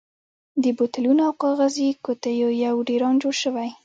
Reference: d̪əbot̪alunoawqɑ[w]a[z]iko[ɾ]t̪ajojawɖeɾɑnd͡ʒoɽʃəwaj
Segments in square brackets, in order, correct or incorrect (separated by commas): incorrect, correct, incorrect